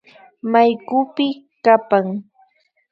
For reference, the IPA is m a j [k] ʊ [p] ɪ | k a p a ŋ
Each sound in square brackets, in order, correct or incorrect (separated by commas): correct, correct